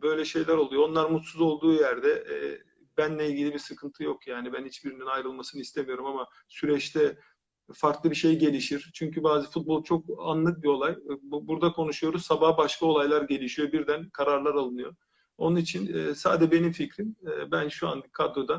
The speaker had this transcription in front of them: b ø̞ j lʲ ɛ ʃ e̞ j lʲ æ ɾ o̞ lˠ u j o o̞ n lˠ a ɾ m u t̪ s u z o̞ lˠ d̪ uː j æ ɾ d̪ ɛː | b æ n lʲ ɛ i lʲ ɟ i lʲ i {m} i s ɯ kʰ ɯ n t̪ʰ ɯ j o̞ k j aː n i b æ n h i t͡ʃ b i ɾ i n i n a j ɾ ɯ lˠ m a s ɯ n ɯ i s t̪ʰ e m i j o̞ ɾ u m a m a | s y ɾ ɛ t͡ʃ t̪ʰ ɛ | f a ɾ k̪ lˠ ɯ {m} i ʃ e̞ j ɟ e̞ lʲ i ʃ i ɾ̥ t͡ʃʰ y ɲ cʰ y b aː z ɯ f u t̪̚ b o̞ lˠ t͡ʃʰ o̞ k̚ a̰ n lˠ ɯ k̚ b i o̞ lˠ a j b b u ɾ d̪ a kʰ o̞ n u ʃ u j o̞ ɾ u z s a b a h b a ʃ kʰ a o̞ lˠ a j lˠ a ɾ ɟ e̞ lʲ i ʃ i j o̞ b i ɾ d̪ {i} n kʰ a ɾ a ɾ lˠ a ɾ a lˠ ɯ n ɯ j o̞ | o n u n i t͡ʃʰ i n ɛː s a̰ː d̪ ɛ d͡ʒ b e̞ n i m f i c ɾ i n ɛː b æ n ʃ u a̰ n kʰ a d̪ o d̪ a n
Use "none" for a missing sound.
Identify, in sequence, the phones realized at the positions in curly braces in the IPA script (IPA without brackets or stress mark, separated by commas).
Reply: b, b, æ